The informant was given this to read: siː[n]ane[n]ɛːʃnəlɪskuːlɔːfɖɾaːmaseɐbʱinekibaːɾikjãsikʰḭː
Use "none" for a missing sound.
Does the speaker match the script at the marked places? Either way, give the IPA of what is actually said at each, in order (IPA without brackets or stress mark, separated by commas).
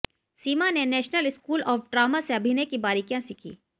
m, n